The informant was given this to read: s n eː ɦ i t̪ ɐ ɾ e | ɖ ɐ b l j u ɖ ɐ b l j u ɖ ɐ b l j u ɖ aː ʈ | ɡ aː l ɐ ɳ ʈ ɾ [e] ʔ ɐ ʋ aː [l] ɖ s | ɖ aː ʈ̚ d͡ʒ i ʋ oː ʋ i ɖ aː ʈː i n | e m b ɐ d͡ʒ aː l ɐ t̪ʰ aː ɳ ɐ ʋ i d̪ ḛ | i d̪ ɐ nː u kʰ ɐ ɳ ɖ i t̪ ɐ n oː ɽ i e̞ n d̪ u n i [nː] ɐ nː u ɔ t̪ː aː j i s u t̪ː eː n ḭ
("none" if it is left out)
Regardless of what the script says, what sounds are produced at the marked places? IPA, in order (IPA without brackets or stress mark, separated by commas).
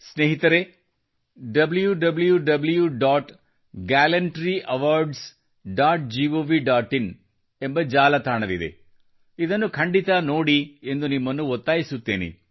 i, ɾ, mː